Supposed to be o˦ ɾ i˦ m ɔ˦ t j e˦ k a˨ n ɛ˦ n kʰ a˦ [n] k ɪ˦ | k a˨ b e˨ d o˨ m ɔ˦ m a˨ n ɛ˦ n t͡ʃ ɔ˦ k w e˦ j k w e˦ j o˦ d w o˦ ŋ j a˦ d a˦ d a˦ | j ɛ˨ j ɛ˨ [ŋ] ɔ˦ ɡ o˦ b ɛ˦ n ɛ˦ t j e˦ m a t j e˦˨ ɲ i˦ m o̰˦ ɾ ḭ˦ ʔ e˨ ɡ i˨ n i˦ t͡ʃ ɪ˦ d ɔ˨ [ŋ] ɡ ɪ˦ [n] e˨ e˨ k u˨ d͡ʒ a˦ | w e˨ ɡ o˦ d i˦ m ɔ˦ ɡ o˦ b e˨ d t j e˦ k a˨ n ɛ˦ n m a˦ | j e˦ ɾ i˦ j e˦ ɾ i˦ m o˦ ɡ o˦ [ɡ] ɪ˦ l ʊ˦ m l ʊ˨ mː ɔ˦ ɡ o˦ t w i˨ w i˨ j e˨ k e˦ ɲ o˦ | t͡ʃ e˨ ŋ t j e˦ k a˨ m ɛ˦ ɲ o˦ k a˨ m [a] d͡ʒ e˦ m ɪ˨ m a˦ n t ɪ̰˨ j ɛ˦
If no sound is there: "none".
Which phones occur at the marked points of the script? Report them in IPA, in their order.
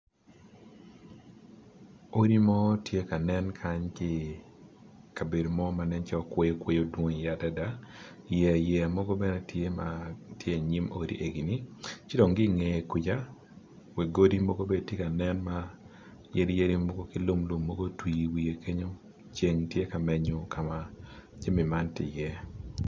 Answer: ɲ, m, ŋ, ŋ, k, a

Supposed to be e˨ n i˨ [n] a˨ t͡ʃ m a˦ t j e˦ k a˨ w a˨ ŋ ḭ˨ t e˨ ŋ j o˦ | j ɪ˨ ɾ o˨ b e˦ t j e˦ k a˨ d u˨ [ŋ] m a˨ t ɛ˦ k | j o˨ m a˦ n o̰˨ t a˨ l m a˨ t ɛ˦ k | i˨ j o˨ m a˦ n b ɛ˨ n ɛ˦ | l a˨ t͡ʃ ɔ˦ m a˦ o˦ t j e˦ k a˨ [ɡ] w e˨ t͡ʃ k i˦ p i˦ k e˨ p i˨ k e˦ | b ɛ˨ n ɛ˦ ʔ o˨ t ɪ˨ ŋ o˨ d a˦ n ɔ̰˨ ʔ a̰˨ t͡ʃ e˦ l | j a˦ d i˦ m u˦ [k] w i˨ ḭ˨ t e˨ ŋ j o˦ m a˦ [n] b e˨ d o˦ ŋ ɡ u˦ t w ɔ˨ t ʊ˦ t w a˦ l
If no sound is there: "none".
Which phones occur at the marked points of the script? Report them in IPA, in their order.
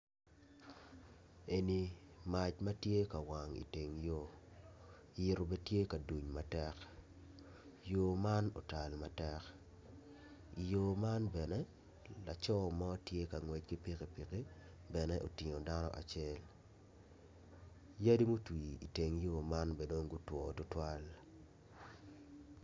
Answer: m, ɲ, ŋ, t, n

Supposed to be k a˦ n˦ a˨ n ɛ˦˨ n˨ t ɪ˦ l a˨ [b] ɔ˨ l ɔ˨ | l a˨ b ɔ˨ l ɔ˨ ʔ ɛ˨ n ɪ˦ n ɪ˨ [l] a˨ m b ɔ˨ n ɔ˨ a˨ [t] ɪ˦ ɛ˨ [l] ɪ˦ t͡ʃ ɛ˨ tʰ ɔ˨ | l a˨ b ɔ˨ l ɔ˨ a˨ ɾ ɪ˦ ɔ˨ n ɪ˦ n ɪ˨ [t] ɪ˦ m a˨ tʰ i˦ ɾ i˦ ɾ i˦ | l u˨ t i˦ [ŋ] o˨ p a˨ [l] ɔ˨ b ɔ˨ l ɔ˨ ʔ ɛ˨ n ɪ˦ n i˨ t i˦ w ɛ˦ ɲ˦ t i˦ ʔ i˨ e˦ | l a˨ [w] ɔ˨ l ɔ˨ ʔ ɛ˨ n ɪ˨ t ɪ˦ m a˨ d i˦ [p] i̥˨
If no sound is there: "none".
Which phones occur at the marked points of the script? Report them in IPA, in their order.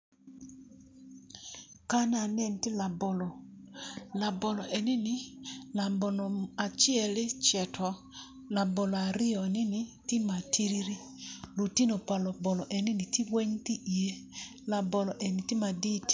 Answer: b, l, t͡ʃ, l, t, n, l, b, t

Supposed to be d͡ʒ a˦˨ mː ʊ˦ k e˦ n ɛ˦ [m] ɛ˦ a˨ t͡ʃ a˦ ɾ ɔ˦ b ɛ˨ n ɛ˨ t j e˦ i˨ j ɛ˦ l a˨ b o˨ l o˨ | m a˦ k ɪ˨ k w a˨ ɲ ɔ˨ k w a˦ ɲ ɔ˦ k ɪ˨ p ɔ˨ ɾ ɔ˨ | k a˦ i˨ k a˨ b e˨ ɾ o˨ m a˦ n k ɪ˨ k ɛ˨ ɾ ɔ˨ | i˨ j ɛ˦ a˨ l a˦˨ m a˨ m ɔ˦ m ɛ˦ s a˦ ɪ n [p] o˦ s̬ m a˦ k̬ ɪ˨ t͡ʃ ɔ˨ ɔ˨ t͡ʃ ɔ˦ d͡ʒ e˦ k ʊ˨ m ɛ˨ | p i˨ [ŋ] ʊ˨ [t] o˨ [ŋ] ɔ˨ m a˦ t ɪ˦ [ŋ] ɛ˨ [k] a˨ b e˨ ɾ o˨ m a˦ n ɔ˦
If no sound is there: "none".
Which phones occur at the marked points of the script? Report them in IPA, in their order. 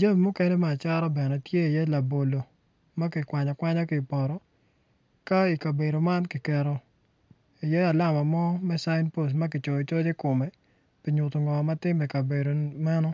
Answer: m, p, ɲ, t, ŋ, m, k

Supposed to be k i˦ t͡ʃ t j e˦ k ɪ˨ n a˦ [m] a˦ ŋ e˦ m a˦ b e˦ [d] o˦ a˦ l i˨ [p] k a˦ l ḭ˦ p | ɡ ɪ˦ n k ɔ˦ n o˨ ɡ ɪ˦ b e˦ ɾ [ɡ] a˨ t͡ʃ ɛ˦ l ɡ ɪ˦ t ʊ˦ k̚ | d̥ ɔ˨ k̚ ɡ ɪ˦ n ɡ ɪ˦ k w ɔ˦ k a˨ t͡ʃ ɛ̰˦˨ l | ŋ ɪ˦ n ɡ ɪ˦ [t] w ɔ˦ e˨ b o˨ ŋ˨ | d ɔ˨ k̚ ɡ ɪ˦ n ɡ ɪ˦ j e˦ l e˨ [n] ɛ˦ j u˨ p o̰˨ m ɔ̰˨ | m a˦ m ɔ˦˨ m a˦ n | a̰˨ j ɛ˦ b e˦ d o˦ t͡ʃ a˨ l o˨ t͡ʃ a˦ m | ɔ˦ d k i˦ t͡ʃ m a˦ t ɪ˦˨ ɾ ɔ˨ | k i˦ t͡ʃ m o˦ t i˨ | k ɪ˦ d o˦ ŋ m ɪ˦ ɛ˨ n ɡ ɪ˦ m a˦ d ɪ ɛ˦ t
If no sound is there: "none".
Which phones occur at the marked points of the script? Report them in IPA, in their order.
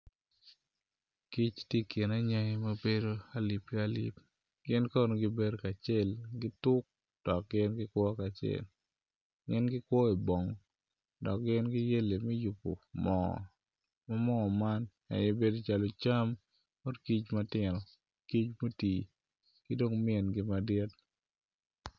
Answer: ɲ, d, p, k, k, m

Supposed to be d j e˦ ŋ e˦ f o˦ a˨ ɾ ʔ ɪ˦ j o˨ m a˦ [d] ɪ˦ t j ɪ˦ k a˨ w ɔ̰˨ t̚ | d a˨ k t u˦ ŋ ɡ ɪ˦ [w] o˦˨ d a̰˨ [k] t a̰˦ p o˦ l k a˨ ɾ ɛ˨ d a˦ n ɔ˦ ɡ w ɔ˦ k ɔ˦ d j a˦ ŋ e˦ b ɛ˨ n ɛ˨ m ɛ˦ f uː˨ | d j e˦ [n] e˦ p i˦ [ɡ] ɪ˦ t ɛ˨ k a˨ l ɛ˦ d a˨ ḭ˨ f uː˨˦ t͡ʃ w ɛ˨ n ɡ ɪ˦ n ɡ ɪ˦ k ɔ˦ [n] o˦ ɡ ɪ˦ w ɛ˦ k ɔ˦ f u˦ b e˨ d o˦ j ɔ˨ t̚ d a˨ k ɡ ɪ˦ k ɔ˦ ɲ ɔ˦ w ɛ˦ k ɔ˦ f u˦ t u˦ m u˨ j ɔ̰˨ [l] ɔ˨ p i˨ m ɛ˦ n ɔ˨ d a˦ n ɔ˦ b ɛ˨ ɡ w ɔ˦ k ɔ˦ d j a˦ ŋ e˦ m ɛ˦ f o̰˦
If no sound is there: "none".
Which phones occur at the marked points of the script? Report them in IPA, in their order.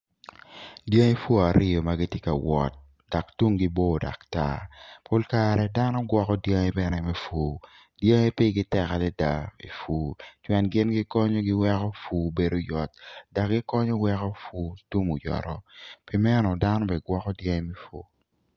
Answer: ɡ, b, k, ŋ, ɡ, ɲ, ɾ

